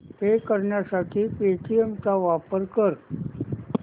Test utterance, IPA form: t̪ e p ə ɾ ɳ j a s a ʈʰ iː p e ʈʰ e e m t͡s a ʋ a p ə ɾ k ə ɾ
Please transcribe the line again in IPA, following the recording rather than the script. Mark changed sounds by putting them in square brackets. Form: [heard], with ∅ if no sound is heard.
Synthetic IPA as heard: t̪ e [k] ə ɾ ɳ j a s a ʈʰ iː p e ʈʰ [i] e m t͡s a ʋ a p ə ɾ k ə ɾ